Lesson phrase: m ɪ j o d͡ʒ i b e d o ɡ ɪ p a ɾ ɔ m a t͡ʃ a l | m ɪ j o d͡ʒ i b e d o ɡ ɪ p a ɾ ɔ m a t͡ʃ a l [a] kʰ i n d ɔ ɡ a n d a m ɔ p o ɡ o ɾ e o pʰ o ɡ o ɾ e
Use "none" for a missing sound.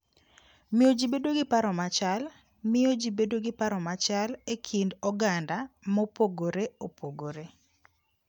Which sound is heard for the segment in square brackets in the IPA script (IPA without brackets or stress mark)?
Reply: e